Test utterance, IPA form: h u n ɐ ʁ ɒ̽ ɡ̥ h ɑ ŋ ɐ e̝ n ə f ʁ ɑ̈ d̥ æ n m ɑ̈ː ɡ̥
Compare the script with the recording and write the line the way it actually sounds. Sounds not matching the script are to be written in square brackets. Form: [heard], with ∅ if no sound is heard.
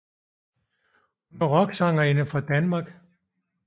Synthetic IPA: h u n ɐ ʁ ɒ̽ ɡ̥ [s] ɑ ŋ ɐ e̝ n ə f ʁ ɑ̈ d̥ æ n m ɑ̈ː ɡ̥

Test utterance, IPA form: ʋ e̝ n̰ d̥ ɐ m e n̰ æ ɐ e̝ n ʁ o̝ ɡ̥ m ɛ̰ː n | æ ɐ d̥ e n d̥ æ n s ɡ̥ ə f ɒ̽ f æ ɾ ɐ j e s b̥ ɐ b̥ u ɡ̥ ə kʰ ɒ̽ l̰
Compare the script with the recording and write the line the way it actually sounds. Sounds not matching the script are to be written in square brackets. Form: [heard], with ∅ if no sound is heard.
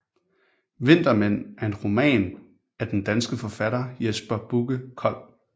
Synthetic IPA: ʋ e̝ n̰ d̥ ɐ m e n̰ æ ɐ e̝ n ʁ o̝ [∅] m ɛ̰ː n | æ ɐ d̥ e n d̥ æ n s ɡ̥ ə f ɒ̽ f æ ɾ ɐ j e s b̥ ɐ b̥ u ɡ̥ ə kʰ ɒ̽ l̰

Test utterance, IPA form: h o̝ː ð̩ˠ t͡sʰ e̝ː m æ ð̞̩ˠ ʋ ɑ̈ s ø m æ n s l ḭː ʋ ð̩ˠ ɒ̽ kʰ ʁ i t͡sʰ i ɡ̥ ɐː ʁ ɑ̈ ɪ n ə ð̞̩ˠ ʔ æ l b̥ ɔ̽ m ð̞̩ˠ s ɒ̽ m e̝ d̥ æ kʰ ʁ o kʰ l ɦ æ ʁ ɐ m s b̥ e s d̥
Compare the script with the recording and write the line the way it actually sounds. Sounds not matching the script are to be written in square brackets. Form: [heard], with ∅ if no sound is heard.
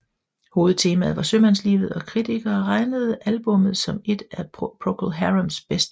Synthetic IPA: h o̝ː ð̩ˠ t͡sʰ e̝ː m æ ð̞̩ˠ ʋ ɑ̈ s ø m æ n s l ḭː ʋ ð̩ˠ ɒ̽ kʰ ʁ i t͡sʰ i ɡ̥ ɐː ʁ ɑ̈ ɪ n ə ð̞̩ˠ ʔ æ l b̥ ɔ̽ m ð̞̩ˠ s ɒ̽ m e̝ d̥ æ [pʰ] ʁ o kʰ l ɦ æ ʁ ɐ m s b̥ e s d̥

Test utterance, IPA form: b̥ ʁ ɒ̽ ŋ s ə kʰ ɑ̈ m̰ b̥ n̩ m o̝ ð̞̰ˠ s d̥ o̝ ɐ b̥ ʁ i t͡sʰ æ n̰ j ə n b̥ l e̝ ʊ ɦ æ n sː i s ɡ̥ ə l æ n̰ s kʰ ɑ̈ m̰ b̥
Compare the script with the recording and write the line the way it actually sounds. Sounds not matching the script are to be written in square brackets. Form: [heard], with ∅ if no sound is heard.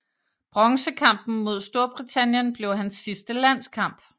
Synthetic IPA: b̥ ʁ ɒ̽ ŋ s ə kʰ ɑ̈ m̰ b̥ n̩ m o̝ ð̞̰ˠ s d̥ o̝ ɐ b̥ ʁ i t͡sʰ æ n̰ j ə n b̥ l e̝ ʊ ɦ æ n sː i s [d̥] ə l æ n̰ s kʰ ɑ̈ m̰ b̥

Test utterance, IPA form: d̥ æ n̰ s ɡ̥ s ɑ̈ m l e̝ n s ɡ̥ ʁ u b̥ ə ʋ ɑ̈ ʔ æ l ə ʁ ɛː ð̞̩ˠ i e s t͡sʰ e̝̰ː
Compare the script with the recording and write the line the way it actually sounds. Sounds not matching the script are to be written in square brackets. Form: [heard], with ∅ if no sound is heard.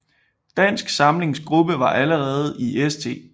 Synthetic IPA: d̥ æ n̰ s ɡ̥ s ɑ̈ m l e̝ [ŋ] s ɡ̥ ʁ u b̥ ə ʋ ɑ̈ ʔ æ l ə ʁ ɛː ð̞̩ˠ i e s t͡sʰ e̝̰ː

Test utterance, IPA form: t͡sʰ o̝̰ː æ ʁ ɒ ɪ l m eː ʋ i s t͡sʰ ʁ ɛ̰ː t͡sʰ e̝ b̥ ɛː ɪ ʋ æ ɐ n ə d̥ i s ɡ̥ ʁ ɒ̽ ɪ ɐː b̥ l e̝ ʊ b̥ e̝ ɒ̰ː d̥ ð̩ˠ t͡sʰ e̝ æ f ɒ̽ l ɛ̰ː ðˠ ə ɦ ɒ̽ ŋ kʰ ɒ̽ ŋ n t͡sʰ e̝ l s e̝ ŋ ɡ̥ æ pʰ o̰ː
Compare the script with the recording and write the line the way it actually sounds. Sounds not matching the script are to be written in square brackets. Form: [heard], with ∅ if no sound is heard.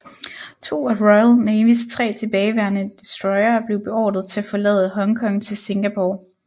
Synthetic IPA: t͡sʰ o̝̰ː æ ʁ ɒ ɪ l [n] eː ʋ i s t͡sʰ ʁ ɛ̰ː t͡sʰ e̝ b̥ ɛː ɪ ʋ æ ɐ n ə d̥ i s [d̥] ʁ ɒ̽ ɪ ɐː b̥ l e̝ ʊ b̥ e̝ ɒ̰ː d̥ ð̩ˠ t͡sʰ e̝ æ f ɒ̽ l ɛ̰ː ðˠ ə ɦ ɒ̽ ŋ kʰ ɒ̽ ŋ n t͡sʰ e̝ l s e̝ ŋ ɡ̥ æ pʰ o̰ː

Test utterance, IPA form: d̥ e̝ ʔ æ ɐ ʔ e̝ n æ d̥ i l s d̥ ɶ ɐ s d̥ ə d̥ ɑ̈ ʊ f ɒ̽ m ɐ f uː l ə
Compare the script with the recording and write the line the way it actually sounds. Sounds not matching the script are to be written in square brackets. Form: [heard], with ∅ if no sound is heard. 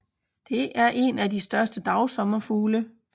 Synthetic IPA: d̥ e̝ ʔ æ ɐ ʔ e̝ n æ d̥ i [∅] s d̥ ɶ ɐ s d̥ ə d̥ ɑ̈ ʊ [s] ɒ̽ m ɐ f uː l ə

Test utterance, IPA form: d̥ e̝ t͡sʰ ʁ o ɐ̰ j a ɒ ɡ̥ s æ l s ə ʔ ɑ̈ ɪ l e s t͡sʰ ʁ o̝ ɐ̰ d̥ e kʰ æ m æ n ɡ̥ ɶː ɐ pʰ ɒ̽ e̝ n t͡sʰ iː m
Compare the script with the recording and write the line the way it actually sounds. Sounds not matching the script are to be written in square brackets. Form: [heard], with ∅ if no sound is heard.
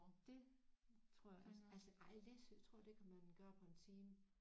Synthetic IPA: d̥ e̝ t͡sʰ ʁ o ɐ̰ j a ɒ [∅] s æ l s ə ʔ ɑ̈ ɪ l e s t͡sʰ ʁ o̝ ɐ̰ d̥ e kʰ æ m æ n ɡ̥ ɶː ɐ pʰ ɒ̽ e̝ n t͡sʰ iː m

